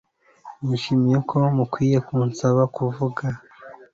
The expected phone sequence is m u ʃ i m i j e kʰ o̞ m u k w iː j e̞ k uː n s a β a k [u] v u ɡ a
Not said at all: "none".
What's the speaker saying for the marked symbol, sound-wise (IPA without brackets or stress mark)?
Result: u